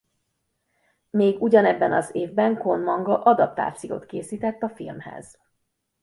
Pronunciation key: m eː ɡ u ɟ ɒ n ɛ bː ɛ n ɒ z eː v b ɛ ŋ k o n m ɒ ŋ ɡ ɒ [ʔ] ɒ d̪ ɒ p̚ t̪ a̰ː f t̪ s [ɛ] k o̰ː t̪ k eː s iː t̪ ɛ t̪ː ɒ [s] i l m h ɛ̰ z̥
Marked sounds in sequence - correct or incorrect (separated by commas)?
correct, incorrect, incorrect